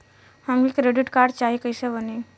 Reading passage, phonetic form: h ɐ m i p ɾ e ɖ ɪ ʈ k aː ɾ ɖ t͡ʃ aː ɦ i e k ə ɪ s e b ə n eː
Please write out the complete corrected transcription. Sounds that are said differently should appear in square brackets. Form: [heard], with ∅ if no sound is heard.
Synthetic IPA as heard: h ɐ m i [k] ɾ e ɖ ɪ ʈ k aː ɾ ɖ t͡ʃ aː ɦ i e k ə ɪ s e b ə n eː